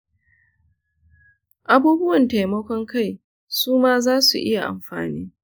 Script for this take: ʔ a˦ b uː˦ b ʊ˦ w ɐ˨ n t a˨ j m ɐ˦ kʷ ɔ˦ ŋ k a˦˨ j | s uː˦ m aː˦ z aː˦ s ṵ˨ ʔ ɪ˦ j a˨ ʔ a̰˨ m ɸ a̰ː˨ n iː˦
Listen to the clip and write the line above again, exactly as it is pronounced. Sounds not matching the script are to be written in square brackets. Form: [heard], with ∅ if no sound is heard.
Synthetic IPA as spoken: ʔ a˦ b uː˦ b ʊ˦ w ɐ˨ n t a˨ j m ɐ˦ kʷ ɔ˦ ŋ k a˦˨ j | s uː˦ m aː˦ z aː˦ s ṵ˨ ʔ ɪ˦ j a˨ ʔ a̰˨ m ɸ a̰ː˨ n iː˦